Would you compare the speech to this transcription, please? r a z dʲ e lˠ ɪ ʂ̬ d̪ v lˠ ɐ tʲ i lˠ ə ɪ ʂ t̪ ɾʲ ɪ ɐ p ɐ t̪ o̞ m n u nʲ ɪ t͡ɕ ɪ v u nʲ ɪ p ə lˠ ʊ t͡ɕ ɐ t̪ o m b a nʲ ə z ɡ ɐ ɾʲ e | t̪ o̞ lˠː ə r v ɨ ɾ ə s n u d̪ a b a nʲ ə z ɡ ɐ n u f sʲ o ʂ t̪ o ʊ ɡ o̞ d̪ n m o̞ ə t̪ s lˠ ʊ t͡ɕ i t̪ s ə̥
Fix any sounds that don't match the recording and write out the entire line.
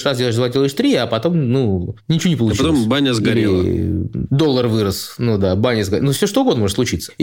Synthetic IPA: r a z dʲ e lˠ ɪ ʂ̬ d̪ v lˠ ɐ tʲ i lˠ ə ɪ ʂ t̪ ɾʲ i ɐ p ɐ t̪ o̞ m n u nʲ ɪ t͡ɕ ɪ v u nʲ ɪ p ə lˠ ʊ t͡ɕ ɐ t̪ o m b a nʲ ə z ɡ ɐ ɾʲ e | d̪ o̞ lˠː ə r v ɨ ɾ ə s n u d̪ a b a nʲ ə z ɡ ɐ n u f sʲ o ʂ t̪ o ʊ ɡ o̞ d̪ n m o̞ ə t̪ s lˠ ʊ t͡ɕ i t̪ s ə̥